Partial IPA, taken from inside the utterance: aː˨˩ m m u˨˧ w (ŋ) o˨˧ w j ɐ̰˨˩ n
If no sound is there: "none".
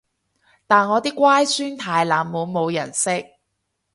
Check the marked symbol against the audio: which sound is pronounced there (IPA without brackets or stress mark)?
m